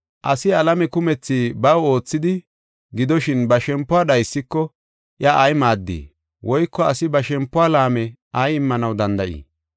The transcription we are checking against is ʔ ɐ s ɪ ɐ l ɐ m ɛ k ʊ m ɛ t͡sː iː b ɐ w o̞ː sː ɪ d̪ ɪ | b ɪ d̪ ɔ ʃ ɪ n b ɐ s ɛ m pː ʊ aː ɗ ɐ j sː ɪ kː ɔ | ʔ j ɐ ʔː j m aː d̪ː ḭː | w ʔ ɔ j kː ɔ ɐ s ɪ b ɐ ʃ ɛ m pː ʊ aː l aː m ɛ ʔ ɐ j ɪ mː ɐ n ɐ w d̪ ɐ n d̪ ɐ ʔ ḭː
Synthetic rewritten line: ʔ ɐ s ɪ ɐ l ɐ m ɛ k ʊ m ɛ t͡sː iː b ɐ w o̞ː t͡sː ɪ d̪ ɪ | ɡ ɪ d̪ ɔ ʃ ɪ n b ɐ ʃ ɛ m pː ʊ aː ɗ ɐ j sː ɪ kː ɔ | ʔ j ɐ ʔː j m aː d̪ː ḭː | w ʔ ɔ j kː ɔ ɐ s ɪ b ɐ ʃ ɛ m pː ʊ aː l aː m ɛ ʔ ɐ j ɪ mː ɐ n ɐ w d̪ ɐ n d̪ ɐ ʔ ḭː